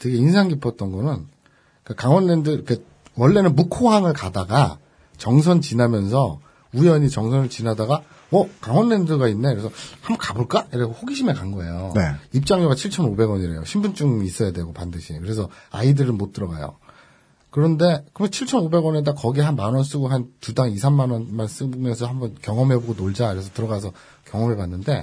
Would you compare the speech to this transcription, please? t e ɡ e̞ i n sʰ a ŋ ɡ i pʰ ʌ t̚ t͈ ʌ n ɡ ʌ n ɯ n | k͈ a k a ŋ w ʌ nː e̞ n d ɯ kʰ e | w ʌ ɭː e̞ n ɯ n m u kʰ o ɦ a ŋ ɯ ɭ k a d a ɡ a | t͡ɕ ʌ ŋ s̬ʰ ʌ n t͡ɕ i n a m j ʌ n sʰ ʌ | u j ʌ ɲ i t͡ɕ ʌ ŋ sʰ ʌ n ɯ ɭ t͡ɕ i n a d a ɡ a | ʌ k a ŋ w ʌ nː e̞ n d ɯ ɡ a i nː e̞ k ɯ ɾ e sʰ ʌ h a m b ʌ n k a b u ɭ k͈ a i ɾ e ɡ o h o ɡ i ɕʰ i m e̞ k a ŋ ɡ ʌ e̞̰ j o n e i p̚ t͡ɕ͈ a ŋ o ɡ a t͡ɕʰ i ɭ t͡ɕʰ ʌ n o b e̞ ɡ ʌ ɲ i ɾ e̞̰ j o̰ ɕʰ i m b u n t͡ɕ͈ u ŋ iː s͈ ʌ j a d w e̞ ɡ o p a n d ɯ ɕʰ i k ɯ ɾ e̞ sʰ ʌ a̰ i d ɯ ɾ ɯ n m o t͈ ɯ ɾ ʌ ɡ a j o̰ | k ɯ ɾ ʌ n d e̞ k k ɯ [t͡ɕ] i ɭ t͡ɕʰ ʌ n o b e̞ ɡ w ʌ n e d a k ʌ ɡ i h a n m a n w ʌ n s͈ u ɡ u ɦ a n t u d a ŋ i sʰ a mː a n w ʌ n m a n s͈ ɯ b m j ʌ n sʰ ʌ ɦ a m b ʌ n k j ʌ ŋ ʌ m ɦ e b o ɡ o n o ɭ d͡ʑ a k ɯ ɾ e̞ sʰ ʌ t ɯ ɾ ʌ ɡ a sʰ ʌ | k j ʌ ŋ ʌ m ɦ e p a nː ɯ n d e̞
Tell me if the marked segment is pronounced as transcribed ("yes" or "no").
no